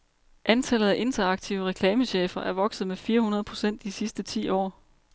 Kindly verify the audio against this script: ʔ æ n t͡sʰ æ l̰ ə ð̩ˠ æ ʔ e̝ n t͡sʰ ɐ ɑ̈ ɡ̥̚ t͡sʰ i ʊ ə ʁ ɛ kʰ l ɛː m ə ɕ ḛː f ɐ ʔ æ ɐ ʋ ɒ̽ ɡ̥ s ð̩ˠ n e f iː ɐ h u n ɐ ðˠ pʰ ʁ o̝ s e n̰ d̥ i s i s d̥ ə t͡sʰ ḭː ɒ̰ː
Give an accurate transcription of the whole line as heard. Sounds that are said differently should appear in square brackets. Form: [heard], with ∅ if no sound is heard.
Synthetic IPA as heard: ʔ æ n t͡sʰ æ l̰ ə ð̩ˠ æ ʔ e̝ n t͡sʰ ɐ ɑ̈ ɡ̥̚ t͡sʰ i ʊ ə ʁ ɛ kʰ l ɛː m ə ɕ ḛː f ɐ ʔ æ ɐ ʋ ɒ̽ ɡ̥ s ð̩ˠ [m] e f iː ɐ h u n ɐ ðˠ pʰ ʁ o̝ s e n̰ d̥ i s i s d̥ ə t͡sʰ ḭː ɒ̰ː

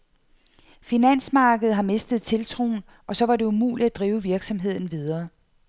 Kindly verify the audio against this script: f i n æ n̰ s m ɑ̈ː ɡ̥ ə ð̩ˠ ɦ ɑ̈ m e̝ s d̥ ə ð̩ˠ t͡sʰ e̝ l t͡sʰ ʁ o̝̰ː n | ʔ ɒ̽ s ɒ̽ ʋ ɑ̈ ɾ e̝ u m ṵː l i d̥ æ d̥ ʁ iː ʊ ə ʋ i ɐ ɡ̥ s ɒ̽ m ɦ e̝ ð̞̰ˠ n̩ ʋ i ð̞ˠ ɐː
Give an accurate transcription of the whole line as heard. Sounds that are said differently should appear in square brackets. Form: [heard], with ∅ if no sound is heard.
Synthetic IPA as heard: f i n æ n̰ s m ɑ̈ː ɡ̥ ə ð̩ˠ ɦ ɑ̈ m e̝ s d̥ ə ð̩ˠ t͡sʰ e̝ l t͡sʰ ʁ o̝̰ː n | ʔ ɒ̽ s ɒ̽ ʋ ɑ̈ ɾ e̝ u m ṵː l i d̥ æ d̥ ʁ iː ʊ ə ʋ i ɐ ɡ̥ s ɒ̽ m ɦ e̝ ð̞̰ˠ n̩ ʋ i ð̞ˠ ɐː

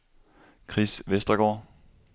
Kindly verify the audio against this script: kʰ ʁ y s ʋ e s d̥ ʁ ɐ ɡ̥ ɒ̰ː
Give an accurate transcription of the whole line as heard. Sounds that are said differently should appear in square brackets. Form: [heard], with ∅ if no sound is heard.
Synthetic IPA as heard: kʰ ʁ [i] s ʋ e s d̥ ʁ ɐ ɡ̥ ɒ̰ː

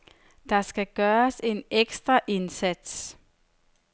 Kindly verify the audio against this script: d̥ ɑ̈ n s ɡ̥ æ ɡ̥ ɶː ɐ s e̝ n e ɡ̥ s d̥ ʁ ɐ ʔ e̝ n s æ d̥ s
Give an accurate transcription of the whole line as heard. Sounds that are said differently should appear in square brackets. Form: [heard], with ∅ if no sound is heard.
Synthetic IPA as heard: d̥ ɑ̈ [∅] s ɡ̥ æ ɡ̥ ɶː ɐ s e̝ n e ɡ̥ s d̥ ʁ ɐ ʔ e̝ n s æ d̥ s

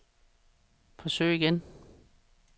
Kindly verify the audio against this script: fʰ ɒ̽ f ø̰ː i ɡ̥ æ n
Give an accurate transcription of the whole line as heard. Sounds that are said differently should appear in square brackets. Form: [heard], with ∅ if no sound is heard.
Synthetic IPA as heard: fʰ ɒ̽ [s] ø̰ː i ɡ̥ [e] n

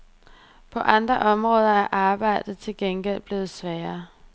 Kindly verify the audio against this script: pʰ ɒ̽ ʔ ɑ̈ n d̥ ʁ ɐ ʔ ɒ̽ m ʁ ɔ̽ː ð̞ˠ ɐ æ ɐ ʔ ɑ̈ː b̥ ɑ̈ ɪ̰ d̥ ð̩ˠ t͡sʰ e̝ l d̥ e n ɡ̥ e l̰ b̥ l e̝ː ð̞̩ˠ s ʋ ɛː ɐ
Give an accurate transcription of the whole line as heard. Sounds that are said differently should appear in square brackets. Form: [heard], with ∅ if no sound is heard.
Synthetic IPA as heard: pʰ ɒ̽ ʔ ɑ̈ n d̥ ʁ ɐ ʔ ɒ̽ m ʁ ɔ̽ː ð̞ˠ ɐ æ ɐ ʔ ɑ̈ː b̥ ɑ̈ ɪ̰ d̥ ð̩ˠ t͡sʰ e̝ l [ɡ̥] e n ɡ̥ e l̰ b̥ l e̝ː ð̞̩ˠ s ʋ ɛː ɐ

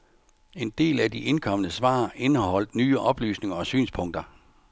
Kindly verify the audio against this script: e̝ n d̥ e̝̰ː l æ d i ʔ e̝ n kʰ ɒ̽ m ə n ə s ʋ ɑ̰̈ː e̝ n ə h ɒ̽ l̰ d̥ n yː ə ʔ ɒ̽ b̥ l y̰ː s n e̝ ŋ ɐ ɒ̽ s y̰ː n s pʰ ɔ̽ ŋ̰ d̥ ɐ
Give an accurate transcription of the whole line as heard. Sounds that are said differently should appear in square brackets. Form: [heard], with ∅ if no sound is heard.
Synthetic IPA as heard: e̝ n d̥ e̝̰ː l æ d i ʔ e̝ n kʰ ɒ̽ m ə n ə s ʋ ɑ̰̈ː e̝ n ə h ɒ̽ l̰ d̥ n yː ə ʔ ɒ̽ b̥ l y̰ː s n e̝ ŋ ɐ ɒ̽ s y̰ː n s pʰ ɔ̽ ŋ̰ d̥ ɐ

